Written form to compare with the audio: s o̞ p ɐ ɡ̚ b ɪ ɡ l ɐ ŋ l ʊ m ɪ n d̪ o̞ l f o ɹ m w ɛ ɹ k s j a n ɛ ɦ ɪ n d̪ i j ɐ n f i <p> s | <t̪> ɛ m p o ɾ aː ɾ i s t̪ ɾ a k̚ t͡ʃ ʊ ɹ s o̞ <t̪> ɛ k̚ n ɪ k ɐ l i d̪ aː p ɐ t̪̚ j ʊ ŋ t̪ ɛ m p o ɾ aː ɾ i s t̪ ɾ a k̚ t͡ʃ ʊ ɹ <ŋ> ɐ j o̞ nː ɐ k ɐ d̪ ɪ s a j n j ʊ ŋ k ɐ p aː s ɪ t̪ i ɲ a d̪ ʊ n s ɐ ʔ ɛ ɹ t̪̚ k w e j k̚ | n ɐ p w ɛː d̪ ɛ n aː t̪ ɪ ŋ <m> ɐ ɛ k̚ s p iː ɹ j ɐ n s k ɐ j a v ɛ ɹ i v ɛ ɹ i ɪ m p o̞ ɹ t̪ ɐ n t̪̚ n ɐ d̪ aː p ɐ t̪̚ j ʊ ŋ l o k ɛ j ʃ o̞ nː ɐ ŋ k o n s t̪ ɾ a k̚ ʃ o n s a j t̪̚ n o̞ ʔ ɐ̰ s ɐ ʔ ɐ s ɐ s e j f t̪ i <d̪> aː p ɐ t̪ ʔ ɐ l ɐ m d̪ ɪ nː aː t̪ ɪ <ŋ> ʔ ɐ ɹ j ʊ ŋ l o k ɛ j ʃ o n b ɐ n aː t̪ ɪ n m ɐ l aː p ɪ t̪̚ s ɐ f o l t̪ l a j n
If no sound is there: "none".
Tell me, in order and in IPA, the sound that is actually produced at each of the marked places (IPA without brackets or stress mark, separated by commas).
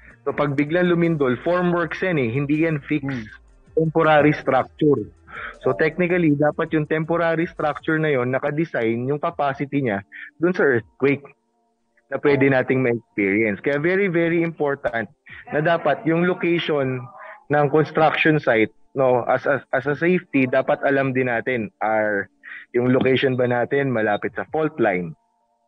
k, t̪, t̪, n, m, d̪, n